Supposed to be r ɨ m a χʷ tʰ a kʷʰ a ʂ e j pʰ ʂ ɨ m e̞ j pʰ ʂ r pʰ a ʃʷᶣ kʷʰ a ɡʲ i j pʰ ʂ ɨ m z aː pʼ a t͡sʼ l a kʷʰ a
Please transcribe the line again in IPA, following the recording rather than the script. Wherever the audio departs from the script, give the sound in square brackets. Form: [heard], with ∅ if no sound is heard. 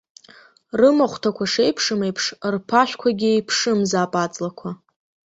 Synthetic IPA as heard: r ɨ m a χʷ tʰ a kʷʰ a ʂ e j pʰ ʂ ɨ m e̞ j pʰ ʂ r pʰ a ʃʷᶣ kʷʰ a ɡʲ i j pʰ ʂ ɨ m z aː pʼ a t͡sʼ l a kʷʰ a